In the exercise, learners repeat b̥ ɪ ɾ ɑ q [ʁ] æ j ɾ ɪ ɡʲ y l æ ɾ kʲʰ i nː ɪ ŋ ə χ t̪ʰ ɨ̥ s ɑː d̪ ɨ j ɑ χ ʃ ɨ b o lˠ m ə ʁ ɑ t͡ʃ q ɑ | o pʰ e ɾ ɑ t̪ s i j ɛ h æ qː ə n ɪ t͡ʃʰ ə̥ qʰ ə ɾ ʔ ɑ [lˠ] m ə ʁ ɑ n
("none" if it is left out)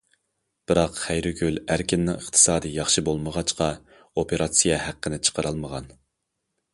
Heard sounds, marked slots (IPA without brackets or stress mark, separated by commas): χ, lˠ